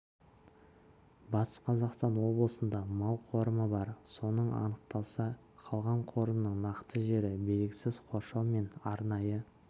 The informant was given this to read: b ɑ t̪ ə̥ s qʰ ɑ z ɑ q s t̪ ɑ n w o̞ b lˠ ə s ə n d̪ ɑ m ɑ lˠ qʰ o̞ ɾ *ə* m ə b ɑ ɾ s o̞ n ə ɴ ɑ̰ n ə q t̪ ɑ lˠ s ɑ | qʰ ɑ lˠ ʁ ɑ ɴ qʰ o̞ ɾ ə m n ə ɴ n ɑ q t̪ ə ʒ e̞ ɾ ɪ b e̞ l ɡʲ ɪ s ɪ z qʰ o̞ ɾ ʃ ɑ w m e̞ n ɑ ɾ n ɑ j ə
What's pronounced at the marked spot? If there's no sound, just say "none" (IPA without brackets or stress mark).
ə